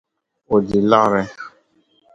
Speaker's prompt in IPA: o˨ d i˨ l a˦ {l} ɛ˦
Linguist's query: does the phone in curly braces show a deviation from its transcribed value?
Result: yes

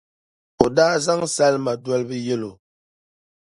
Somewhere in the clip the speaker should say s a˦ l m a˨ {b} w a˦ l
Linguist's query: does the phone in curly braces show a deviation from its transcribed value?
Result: yes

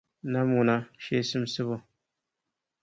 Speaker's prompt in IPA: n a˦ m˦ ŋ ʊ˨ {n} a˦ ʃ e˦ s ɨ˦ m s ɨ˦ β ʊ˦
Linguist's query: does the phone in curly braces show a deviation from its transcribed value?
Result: no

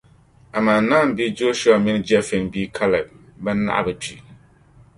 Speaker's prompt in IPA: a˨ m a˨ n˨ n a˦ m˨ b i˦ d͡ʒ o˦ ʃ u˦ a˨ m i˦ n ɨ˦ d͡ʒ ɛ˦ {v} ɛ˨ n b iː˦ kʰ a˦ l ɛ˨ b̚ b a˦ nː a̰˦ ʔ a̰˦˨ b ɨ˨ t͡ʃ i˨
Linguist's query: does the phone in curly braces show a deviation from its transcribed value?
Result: yes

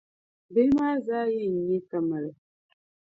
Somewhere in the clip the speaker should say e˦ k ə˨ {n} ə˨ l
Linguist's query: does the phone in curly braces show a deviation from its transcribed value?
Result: yes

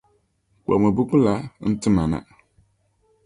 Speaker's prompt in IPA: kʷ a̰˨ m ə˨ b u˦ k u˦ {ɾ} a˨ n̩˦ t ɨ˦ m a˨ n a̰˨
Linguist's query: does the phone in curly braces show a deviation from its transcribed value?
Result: yes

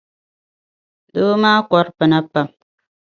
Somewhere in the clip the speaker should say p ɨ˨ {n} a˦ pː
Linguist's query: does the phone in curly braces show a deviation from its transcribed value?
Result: no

